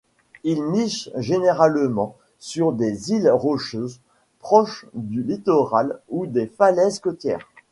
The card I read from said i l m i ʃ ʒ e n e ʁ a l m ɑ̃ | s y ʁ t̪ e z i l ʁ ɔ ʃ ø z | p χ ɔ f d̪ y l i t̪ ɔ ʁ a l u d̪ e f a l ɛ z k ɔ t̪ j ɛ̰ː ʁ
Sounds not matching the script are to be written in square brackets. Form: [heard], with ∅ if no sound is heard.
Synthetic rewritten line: i l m i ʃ ʒ e n e ʁ a l m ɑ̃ | s y ʁ [d̪] e z i l ʁ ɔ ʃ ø z | p χ ɔ [ʃ] d̪ y l i t̪ ɔ ʁ a l u d̪ e f a l ɛ z k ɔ t̪ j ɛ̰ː ʁ